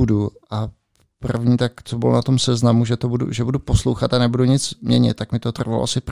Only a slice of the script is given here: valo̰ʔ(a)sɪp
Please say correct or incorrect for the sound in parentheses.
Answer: correct